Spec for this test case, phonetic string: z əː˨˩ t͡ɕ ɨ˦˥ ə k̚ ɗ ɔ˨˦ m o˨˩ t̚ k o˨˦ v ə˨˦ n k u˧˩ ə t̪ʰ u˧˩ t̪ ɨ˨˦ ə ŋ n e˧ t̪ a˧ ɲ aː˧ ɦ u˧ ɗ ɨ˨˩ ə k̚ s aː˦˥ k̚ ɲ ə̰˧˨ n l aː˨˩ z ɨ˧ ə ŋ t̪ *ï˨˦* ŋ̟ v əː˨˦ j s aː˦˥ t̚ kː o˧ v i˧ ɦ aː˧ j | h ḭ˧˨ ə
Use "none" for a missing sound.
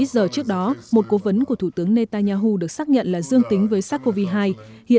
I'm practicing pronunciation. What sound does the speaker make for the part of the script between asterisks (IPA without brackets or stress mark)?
ï˨˦